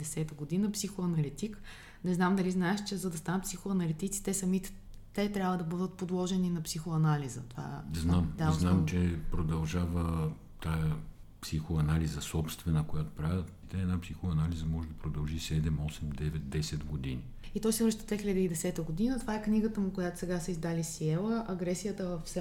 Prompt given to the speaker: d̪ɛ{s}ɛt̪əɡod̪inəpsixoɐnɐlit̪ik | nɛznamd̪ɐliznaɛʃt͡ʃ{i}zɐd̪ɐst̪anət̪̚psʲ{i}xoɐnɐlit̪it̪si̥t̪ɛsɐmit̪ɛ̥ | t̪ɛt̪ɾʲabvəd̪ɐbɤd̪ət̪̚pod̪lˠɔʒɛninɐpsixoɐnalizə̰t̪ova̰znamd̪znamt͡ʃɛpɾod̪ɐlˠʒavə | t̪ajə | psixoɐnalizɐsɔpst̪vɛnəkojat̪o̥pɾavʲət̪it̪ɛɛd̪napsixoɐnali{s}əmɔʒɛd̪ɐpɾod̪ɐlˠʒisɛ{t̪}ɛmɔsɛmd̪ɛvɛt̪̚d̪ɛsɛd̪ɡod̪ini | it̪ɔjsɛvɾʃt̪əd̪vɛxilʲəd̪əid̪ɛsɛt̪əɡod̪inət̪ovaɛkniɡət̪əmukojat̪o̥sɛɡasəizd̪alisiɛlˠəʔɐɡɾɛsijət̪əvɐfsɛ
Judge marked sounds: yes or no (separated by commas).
yes, no, yes, no, no